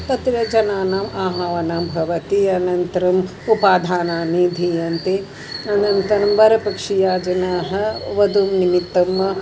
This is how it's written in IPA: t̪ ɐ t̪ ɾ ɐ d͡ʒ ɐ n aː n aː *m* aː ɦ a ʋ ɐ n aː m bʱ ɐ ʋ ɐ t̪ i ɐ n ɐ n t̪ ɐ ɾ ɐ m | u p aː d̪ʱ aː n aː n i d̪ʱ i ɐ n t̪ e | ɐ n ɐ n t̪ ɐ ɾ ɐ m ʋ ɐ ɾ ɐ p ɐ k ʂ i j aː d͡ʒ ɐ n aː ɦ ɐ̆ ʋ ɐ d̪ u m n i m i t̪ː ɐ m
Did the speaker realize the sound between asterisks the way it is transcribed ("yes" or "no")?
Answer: yes